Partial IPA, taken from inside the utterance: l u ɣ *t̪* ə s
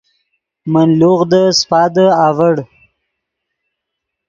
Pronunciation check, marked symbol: incorrect: d̪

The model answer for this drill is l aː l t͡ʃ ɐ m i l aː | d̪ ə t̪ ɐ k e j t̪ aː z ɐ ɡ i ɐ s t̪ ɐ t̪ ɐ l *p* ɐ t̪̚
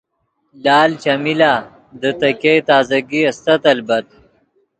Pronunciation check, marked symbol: incorrect: b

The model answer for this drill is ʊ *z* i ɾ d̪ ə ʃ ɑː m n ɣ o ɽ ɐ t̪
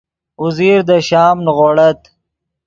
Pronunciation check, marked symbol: correct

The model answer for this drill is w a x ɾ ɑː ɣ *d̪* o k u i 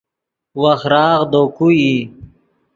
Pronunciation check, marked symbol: correct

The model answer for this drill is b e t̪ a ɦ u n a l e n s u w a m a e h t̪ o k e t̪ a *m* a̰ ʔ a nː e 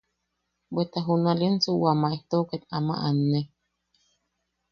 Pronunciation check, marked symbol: correct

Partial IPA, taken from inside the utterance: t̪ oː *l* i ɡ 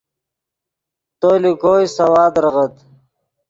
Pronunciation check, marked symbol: correct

